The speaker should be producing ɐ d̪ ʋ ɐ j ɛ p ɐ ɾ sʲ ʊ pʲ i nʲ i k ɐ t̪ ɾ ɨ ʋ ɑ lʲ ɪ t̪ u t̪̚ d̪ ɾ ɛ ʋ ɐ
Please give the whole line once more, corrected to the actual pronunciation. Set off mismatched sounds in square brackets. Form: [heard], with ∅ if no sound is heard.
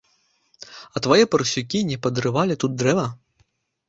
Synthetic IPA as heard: ɐ [t̪] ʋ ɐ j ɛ p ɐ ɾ sʲ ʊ [kʲ] i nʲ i [p] ɐ [d̪] ɾ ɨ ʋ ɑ lʲ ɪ t̪ u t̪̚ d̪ ɾ ɛ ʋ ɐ

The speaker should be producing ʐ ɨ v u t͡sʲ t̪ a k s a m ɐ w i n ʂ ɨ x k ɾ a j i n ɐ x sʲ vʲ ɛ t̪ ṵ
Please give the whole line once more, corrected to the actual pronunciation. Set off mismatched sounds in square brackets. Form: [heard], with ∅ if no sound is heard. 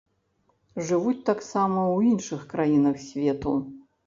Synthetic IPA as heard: ʐ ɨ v u t͡sʲ t̪ a k s a m ɐ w i n ʂ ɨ x k ɾ a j i n ɐ x sʲ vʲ ɛ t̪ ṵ

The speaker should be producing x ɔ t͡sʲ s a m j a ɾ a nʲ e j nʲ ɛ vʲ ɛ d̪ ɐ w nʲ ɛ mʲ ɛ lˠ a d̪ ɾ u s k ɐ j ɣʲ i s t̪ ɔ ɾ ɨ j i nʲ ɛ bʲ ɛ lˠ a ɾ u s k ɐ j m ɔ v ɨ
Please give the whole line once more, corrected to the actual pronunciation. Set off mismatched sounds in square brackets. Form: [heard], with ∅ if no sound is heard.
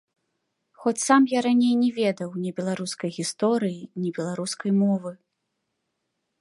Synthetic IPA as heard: x ɔ t͡sʲ s a m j a ɾ a nʲ e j nʲ ɛ vʲ ɛ d̪ ɐ w nʲ ɛ [bʲ] ɛ lˠ a [∅] ɾ u s k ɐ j ɣʲ i s t̪ ɔ ɾ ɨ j i nʲ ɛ bʲ ɛ lˠ a ɾ u s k ɐ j m ɔ v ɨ

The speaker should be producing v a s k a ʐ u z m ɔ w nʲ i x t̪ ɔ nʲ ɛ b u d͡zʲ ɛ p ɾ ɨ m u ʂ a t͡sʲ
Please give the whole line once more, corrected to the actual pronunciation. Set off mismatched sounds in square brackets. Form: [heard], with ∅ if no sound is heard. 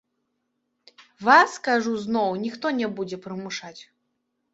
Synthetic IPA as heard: v a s k a ʐ u z [n] ɔ w nʲ i x t̪ ɔ nʲ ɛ b u d͡zʲ ɛ p ɾ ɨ m u ʂ a t͡sʲ

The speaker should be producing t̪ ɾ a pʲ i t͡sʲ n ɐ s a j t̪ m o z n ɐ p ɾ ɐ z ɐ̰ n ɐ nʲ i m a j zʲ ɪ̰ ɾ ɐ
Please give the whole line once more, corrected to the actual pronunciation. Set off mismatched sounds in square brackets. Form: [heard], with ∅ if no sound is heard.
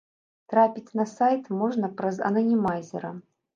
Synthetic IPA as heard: t̪ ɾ a pʲ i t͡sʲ n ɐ s a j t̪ m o [ʐ] n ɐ p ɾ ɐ z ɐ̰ n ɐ nʲ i m a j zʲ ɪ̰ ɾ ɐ

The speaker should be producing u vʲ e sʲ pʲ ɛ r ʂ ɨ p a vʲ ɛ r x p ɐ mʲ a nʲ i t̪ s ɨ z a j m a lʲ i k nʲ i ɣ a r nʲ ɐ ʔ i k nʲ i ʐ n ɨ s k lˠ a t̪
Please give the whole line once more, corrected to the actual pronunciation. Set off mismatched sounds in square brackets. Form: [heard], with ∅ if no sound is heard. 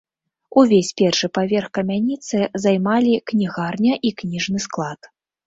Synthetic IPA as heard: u vʲ e sʲ pʲ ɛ r ʂ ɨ p a vʲ ɛ r x [k] ɐ mʲ a nʲ i t̪ s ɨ z a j m a lʲ i k nʲ i ɣ a r nʲ ɐ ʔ i k nʲ i ʐ n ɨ s k lˠ a t̪

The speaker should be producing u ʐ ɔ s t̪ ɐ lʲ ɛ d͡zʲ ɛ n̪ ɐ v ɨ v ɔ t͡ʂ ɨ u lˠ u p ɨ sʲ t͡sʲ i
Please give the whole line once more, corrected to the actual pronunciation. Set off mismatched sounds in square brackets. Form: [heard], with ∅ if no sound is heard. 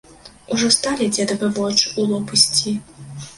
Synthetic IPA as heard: u ʐ ɔ s t̪ [a] lʲ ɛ d͡zʲ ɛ [d̪] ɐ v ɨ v ɔ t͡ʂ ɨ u lˠ [ɔ] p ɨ sʲ t͡sʲ i

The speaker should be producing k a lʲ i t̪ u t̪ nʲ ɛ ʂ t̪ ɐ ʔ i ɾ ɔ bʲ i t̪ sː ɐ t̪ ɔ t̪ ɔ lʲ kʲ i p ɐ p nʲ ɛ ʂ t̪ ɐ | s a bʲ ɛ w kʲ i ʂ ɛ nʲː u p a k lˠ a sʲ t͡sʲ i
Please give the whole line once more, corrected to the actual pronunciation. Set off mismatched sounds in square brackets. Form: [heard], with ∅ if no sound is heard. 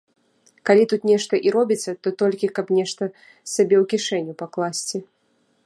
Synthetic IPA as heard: k a lʲ i t̪ u t̪ nʲ ɛ ʂ t̪ ɐ ʔ i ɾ ɔ bʲ i t̪ sː ɐ t̪ ɔ t̪ ɔ lʲ kʲ i [k] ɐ p nʲ ɛ ʂ t̪ ɐ | s a bʲ ɛ w kʲ i ʂ ɛ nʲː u p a k lˠ a sʲ t͡sʲ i

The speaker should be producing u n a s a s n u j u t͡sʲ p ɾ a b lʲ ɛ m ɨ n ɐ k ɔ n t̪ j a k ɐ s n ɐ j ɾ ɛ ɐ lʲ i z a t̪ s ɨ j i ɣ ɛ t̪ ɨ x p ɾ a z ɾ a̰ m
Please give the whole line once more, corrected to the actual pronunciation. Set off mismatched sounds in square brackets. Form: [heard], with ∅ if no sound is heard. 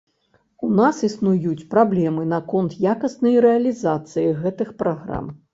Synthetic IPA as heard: u n a s [i] s n u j u t͡sʲ p ɾ a b lʲ ɛ m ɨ n ɐ k ɔ n t̪ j a k ɐ s n ɐ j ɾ ɛ ɐ lʲ i z a t̪ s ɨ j i ɣ ɛ t̪ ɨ x p ɾ a [ɣ] ɾ a̰ m

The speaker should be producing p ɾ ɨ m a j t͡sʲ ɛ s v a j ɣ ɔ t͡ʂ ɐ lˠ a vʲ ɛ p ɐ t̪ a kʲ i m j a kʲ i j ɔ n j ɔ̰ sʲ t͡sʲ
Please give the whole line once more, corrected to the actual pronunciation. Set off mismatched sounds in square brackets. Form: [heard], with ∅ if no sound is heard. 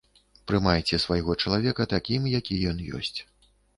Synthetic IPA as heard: p ɾ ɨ m a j t͡sʲ ɛ s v a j ɣ ɔ t͡ʂ ɐ lˠ a vʲ ɛ [k] ɐ t̪ a kʲ i m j a kʲ i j ɔ n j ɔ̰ sʲ t͡sʲ

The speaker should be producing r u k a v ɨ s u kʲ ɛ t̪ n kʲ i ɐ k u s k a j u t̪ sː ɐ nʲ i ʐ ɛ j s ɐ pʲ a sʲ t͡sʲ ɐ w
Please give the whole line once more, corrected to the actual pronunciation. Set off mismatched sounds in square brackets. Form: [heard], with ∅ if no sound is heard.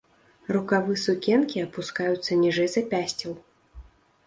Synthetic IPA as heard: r u k a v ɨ s u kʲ ɛ [∅] n kʲ i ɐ [p] u s k a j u t̪ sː ɐ nʲ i ʐ ɛ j [z] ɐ pʲ a sʲ t͡sʲ ɐ w

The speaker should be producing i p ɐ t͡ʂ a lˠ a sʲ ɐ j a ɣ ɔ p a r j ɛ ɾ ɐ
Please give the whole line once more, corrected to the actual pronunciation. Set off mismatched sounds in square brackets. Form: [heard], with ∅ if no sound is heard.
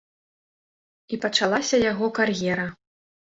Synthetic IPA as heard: i p ɐ t͡ʂ a lˠ a sʲ ɐ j a ɣ ɔ [k] a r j ɛ ɾ ɐ

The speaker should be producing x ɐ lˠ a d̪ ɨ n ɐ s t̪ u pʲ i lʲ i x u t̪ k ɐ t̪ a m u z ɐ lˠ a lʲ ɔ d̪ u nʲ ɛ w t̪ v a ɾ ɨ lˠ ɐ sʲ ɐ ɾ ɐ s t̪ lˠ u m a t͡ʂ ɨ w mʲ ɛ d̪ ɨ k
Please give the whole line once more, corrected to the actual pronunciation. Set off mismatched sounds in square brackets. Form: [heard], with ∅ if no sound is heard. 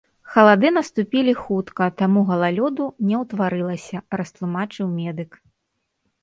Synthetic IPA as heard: x ɐ lˠ a d̪ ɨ n ɐ s t̪ u pʲ i lʲ i x u t̪ k ɐ t̪ a m u [ɣ] ɐ lˠ a lʲ ɔ d̪ u nʲ ɛ w t̪ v a ɾ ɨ lˠ ɐ sʲ ɐ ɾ ɐ s t̪ lˠ u m a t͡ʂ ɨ w mʲ ɛ d̪ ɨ k

